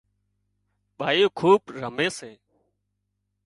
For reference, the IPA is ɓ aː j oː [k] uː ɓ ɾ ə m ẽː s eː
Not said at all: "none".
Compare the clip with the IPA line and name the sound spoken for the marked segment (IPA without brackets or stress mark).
kʰ